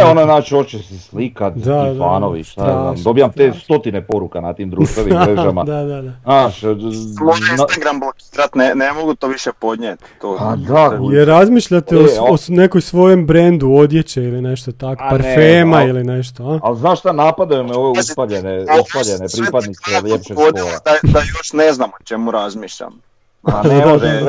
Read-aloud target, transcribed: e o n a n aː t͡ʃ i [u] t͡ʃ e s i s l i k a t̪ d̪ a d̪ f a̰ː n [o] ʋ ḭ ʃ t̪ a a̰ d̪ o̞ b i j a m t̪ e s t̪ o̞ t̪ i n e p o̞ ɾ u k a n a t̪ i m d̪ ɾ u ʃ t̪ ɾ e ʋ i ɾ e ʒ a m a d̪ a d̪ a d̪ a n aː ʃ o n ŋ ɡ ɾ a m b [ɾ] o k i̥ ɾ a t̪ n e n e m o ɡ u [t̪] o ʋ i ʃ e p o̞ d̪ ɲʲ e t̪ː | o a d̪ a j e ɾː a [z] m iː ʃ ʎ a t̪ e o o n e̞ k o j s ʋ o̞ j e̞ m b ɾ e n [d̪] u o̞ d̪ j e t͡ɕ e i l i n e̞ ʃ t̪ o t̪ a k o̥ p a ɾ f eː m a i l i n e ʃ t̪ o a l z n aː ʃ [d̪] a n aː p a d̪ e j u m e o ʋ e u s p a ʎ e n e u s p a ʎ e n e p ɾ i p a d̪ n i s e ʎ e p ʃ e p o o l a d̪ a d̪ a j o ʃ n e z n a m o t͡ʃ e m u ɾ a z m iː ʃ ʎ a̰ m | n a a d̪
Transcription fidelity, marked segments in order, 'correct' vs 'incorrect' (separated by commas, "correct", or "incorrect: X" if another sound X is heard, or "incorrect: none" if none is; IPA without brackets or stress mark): incorrect: o, correct, incorrect: l, correct, correct, correct, incorrect: t̪